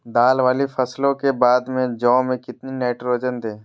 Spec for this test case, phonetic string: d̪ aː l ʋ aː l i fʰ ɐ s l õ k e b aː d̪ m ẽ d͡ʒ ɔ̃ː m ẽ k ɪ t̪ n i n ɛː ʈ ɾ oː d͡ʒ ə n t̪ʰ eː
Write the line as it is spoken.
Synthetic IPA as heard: d̪ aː l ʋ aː l i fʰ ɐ s l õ k e b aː d̪ m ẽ d͡ʒ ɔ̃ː m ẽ k ɪ t̪ n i n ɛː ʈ ɾ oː d͡ʒ ə n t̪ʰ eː